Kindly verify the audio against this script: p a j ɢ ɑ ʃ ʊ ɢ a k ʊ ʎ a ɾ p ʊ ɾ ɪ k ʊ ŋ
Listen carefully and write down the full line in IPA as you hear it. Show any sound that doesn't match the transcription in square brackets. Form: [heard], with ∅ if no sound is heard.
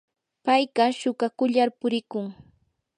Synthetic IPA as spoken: p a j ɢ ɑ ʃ ʊ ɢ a k ʊ ʎ a ɾ p ʊ ɾ ɪ k ʊ ŋ